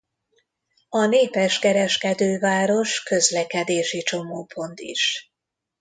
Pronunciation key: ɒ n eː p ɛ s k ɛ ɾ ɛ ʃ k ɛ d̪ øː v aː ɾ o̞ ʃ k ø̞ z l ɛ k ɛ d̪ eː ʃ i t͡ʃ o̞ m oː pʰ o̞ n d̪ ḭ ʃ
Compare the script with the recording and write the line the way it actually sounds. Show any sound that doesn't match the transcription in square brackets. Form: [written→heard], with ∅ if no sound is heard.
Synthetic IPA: ɒ n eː p ɛ [s→ʃ] k ɛ ɾ ɛ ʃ k ɛ d̪ øː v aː ɾ o̞ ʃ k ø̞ z l ɛ k ɛ d̪ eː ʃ i t͡ʃ o̞ m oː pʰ o̞ n [d̪→t̪] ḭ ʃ